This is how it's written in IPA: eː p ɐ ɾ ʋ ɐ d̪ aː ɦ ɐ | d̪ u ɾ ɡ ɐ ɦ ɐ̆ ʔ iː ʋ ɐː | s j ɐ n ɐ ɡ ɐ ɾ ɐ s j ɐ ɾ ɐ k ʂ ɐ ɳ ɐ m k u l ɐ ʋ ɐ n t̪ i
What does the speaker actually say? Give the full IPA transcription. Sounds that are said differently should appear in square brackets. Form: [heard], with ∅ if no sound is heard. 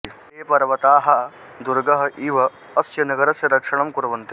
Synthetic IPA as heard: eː p ɐ ɾ ʋ ɐ [t̪] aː ɦ ɐ | d̪ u ɾ ɡ ɐ ɦ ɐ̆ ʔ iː ʋ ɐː | s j ɐ n ɐ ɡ ɐ ɾ ɐ s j ɐ ɾ ɐ k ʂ ɐ ɳ ɐ m k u [ɾ] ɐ ʋ ɐ n t̪ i